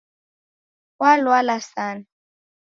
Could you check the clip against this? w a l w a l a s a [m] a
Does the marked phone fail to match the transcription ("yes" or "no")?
yes